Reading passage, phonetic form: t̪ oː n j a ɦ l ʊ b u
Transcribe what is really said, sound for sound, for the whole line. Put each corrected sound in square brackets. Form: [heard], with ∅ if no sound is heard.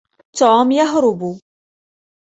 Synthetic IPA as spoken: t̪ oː [m] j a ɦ [ɾ] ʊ b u